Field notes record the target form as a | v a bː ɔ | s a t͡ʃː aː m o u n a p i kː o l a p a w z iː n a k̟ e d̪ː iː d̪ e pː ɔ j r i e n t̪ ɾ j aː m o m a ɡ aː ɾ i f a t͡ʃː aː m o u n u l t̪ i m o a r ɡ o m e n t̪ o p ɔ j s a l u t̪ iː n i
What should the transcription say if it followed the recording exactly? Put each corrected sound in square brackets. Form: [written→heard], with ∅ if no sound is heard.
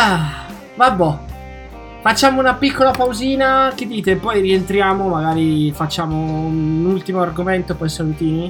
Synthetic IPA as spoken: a | v a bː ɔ | [s→f] a t͡ʃː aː m o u n a p i kː o l a p a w z iː n a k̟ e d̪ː iː [d̪→t̪] e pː ɔ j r i e n t̪ ɾ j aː m o m a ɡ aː ɾ i f a t͡ʃː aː m o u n u l t̪ i m o a r ɡ o m e n t̪ o p ɔ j s a l u t̪ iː n i